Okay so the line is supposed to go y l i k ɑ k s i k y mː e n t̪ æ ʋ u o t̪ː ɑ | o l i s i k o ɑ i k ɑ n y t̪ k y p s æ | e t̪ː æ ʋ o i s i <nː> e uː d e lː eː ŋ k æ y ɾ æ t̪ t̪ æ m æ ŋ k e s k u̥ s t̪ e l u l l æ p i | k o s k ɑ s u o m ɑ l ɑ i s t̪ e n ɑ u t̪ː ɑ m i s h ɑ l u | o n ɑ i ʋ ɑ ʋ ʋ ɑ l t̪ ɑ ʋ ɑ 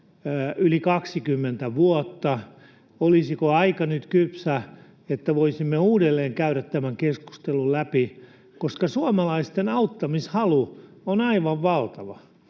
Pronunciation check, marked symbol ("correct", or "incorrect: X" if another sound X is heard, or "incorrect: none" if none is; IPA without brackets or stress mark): incorrect: mː